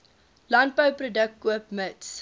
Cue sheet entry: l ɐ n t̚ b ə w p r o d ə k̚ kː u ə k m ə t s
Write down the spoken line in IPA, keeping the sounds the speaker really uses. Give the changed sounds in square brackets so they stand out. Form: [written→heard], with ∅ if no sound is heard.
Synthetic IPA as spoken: l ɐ n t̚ b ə w p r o d ə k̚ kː u ə [k→p] m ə t s